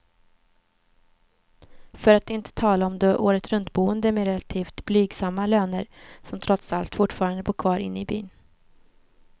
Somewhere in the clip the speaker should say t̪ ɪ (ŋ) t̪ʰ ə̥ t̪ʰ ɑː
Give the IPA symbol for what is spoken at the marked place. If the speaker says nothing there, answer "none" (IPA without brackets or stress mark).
n